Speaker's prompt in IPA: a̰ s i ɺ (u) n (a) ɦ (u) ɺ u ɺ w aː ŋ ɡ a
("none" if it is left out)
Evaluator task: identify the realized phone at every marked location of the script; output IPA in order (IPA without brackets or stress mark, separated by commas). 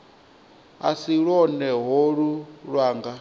ɔ, ɛ, o